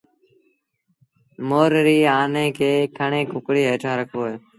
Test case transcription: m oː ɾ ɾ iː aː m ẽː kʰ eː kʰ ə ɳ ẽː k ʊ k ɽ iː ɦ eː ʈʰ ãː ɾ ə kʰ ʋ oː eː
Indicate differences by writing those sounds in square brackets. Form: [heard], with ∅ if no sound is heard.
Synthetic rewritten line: m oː ɾ ɾ iː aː [n] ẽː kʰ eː kʰ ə ɳ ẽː k ʊ k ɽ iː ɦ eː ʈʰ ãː ɾ ə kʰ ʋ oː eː